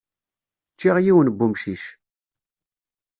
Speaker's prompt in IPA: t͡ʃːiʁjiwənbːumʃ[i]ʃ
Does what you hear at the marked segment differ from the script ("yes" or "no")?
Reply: no